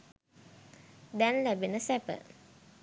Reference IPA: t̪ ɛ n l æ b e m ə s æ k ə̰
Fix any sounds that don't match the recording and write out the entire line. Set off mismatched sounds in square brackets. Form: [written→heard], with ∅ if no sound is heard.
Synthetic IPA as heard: [t̪→d̪] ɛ n l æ b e [m→n] ə s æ [k→p] ə̰